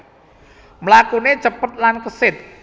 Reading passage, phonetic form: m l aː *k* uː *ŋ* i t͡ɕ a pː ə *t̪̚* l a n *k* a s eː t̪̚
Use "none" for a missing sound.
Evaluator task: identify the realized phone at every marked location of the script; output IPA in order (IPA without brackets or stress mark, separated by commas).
k, n, t̪̚, k